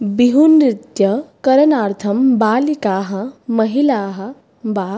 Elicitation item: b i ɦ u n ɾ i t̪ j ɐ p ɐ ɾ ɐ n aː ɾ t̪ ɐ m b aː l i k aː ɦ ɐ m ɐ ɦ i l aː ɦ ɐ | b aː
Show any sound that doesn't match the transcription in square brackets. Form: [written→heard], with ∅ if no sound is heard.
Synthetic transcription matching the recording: b i ɦ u n ɾ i t̪ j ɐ [p→k] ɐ ɾ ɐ n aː ɾ [t̪→t̪ʰ] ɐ m b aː l i k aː ɦ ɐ m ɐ ɦ i l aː ɦ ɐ | b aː